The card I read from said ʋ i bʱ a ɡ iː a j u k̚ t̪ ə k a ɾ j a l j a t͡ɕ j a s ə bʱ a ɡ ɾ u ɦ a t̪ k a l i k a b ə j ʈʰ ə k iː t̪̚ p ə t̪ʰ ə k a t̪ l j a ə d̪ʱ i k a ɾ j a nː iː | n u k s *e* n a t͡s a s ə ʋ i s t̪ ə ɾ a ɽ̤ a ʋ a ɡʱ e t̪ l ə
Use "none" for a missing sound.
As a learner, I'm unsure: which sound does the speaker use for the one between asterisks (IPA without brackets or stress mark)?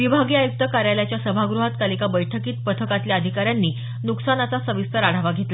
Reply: a